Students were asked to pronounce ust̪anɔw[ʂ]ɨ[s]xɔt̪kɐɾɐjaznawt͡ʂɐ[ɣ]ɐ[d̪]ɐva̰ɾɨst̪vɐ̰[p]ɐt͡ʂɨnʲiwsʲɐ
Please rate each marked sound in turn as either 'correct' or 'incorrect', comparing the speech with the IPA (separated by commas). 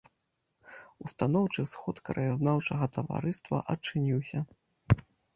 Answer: incorrect, correct, correct, incorrect, incorrect